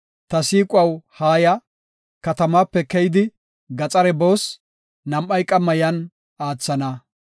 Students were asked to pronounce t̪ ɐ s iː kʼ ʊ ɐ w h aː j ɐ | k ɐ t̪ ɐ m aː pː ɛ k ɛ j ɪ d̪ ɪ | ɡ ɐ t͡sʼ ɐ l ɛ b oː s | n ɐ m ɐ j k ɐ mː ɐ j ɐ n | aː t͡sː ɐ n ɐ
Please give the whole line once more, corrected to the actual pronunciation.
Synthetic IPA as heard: t̪ ɐ s iː kʼ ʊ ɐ w h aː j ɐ | k ɐ t̪ ɐ m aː pː ɛ k ɛ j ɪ d̪ ɪ | ɡ ɐ t͡sʼ ɐ ɾ ɛ b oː s | n ɐ m ɐ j kʼ ɐ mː ɐ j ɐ n | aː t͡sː ɐ n ɐ